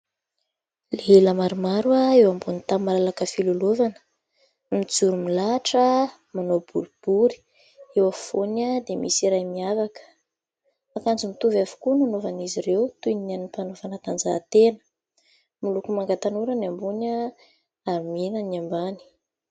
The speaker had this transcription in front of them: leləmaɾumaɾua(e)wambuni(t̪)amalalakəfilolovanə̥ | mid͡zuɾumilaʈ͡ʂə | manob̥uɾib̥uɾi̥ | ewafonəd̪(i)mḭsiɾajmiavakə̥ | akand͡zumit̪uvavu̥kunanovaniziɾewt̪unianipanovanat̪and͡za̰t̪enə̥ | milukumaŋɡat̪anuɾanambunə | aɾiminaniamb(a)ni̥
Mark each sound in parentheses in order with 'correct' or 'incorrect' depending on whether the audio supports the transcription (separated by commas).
correct, correct, incorrect, correct